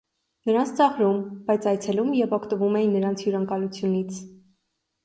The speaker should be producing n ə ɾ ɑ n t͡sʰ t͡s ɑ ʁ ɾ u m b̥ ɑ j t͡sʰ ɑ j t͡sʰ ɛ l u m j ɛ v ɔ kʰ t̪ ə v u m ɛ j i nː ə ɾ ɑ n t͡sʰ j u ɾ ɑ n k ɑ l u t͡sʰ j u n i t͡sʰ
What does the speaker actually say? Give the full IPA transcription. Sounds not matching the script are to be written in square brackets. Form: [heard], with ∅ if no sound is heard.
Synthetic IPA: n ə ɾ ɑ n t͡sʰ t͡s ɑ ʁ ɾ u m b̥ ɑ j t͡sʰ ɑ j t͡sʰ ɛ l u m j ɛ v ɔ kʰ t̪ ə v u m ɛ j i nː ə ɾ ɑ n t͡sʰ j u ɾ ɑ [ŋ] k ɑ l u t͡sʰ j u n i t͡sʰ